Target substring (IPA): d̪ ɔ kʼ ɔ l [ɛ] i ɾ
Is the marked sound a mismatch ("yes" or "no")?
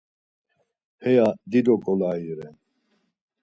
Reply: yes